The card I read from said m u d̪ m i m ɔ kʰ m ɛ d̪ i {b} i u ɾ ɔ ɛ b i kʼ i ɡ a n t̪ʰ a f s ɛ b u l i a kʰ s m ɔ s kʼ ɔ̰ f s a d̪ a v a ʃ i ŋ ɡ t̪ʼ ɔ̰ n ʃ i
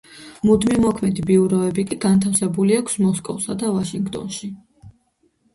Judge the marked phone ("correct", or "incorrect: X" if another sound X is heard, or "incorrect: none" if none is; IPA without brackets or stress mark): correct